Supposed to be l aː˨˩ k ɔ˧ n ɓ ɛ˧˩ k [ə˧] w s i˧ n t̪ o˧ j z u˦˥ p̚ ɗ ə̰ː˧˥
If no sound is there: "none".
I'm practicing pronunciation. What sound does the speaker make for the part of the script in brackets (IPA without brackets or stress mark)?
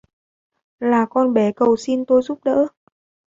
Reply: ə˨˩